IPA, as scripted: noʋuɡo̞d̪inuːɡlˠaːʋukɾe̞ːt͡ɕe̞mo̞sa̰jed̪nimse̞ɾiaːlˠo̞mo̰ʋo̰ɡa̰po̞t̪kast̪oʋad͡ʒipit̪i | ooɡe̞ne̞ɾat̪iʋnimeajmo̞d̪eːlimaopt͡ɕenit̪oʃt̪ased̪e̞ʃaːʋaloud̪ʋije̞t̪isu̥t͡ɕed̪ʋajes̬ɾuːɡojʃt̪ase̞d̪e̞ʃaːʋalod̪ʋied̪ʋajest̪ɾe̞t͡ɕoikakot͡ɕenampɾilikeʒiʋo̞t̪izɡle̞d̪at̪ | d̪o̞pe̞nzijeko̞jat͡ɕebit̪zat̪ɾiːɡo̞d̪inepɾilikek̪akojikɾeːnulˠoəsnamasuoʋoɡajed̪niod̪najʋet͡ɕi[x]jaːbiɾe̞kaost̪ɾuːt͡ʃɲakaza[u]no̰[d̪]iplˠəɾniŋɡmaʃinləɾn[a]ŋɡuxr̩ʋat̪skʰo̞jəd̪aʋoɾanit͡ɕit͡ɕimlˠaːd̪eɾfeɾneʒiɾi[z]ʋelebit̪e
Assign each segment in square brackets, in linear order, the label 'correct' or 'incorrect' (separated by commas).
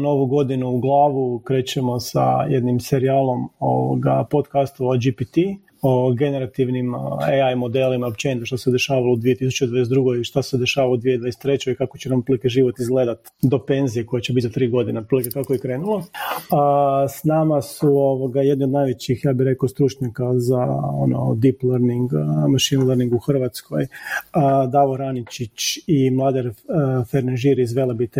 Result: correct, incorrect, correct, incorrect, correct